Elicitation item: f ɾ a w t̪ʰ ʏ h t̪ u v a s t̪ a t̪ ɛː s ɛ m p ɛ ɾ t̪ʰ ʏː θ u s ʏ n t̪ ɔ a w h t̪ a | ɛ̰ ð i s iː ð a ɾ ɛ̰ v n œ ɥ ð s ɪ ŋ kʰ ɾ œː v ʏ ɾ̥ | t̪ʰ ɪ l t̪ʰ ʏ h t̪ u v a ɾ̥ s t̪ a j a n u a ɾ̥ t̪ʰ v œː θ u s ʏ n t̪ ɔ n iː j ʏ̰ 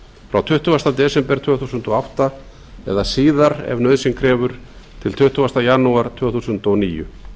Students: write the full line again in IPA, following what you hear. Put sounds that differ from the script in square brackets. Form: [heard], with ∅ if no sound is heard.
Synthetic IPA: f ɾ a w t̪ʰ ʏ h t̪ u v a s t̪ a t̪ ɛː s ɛ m p ɛ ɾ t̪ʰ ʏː θ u s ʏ n t̪ ɔ a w h t̪ a | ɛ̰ ð [a] s iː ð a ɾ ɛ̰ v n œ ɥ ð s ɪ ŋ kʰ ɾ [ɛː] v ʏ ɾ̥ | t̪ʰ ɪ l t̪ʰ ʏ h t̪ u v a [∅] s t̪ a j a n u a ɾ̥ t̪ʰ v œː θ u s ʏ n t̪ ɔ n iː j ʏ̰